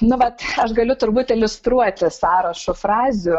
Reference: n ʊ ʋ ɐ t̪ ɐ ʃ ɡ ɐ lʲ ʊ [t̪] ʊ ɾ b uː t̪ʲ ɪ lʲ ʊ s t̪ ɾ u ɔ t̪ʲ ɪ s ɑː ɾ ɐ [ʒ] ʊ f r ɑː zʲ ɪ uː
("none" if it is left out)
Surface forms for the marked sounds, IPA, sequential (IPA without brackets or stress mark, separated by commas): t̪, ʃ